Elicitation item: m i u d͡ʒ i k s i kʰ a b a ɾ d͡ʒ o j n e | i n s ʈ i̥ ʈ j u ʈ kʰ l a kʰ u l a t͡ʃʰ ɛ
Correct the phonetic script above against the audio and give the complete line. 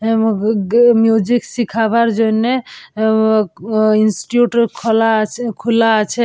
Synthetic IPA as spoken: m j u d͡ʒ i k s i kʰ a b a ɾ d͡ʒ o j n e | i n s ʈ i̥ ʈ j u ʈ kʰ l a kʰ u l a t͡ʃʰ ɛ